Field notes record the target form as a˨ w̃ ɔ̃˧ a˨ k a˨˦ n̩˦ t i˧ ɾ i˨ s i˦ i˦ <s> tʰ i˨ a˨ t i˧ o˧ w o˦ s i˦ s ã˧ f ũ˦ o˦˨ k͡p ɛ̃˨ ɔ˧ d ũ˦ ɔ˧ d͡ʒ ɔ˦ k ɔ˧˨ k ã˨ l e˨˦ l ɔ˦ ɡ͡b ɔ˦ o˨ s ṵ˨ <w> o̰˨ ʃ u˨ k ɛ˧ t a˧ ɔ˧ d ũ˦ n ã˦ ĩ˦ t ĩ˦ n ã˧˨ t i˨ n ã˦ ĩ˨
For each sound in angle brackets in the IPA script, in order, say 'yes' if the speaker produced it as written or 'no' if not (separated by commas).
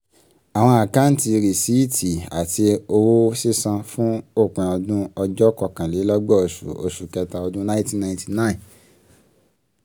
no, no